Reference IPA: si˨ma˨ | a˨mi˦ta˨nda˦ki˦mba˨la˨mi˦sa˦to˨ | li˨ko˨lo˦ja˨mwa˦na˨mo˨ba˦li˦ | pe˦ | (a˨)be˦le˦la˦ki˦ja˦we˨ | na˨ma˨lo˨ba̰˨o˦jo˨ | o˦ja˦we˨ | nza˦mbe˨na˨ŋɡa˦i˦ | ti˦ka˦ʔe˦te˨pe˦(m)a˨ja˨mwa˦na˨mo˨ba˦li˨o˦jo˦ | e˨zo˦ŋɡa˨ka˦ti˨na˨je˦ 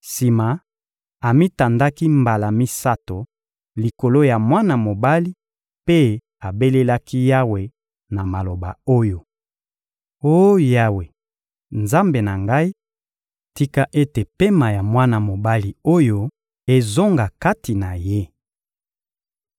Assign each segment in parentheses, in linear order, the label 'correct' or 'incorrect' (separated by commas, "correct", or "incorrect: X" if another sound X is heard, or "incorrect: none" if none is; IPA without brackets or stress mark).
correct, correct